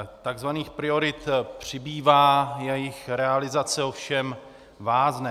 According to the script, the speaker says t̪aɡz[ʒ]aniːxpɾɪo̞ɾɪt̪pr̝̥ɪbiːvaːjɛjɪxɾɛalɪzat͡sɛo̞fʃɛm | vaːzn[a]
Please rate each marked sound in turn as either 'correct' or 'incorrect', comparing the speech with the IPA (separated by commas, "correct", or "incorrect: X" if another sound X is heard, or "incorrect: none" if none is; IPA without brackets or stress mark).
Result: incorrect: v, incorrect: ɛ